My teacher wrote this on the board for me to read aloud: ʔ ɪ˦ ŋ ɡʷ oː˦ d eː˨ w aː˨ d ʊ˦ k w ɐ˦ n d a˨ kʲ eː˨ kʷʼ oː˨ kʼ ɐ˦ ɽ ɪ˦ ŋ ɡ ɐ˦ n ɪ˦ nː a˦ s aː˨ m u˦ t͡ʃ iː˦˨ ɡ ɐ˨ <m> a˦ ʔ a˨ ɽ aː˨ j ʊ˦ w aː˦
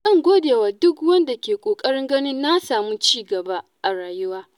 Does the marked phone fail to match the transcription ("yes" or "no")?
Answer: yes